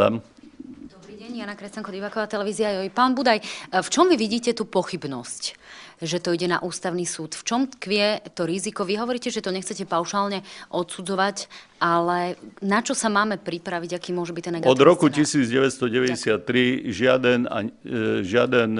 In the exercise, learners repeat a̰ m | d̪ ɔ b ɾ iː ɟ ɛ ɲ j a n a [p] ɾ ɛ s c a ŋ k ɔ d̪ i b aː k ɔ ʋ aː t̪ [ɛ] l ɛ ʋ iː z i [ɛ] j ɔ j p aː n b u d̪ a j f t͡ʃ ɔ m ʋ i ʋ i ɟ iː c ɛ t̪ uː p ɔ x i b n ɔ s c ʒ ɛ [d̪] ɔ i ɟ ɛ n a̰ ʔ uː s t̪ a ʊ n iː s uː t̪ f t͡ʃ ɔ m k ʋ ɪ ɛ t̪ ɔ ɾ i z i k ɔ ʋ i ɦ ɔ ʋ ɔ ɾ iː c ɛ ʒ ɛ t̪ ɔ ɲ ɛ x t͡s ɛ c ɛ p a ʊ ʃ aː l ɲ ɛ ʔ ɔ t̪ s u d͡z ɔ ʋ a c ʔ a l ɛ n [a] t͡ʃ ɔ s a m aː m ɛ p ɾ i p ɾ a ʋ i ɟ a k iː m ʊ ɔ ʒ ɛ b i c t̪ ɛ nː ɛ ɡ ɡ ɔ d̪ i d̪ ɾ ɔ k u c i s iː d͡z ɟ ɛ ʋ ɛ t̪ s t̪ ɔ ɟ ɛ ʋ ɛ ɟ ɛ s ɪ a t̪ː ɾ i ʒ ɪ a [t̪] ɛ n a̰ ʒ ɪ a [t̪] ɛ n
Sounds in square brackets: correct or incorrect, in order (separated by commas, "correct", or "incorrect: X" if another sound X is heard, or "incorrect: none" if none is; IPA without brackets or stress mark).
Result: incorrect: k, correct, incorrect: a, incorrect: t̪, correct, incorrect: d̪, incorrect: d̪